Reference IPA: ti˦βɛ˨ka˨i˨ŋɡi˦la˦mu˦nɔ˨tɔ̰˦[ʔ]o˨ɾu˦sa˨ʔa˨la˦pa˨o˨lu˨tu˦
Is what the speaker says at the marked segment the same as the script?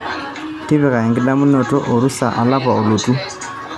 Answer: yes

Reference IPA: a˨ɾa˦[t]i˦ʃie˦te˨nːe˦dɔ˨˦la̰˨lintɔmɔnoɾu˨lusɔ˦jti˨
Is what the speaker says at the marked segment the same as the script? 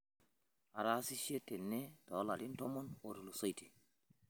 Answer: no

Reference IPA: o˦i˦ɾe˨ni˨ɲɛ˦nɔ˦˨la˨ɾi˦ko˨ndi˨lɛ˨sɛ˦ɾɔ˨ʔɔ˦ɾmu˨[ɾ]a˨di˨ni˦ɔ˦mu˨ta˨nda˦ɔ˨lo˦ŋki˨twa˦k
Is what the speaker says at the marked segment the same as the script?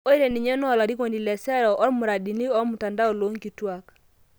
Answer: yes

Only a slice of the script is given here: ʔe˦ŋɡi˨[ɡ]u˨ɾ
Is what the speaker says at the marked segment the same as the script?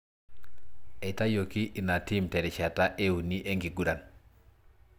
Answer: yes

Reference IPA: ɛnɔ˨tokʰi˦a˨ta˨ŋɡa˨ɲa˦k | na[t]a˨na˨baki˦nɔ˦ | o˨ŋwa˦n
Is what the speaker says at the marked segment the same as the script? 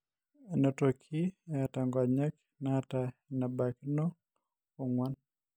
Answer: yes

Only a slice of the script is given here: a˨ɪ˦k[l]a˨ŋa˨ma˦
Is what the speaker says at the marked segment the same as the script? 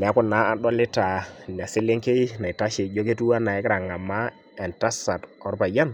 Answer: no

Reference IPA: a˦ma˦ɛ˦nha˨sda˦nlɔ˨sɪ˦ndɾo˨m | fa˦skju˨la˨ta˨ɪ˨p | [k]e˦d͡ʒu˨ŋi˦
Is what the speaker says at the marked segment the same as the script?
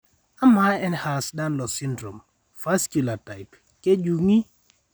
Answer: yes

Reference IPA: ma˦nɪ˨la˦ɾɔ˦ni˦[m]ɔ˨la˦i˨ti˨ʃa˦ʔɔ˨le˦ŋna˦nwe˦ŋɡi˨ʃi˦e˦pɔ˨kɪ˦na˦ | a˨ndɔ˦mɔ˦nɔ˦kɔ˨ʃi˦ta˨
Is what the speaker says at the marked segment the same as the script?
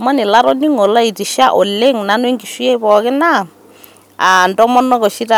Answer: no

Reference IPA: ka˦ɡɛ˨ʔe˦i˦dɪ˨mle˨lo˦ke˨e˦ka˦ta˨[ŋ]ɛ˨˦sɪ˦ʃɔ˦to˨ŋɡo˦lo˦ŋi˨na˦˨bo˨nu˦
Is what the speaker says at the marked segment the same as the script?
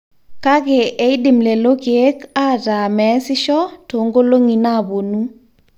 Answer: no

